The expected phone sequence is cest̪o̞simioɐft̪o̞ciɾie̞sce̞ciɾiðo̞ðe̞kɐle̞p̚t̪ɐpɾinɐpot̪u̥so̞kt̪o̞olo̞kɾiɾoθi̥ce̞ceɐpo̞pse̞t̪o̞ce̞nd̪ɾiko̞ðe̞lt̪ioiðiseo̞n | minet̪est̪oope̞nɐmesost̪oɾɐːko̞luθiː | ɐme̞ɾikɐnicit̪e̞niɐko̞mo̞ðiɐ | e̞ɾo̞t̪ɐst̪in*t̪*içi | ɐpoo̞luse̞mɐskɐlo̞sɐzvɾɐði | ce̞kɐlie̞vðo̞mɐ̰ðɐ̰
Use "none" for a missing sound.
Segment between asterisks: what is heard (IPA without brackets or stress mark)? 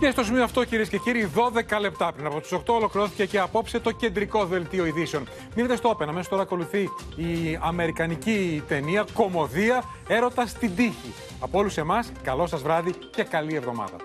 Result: d̪